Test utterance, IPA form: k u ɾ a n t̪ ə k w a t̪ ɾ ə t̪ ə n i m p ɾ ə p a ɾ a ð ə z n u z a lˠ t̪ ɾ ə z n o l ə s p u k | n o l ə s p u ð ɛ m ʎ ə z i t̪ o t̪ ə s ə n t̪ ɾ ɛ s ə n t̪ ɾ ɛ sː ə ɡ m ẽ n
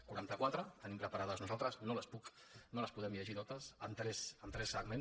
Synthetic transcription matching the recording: k u ɾ a n t̪ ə k w a t̪ ɾ ə t̪ ə n i m p ɾ ə p a ɾ a ð ə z n u z a lˠ t̪ ɾ ə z n o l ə s p u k | n o l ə s p u ð ɛ m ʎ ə ʒ i t̪ o t̪ ə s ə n t̪ ɾ ɛ s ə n t̪ ɾ ɛ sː ə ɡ m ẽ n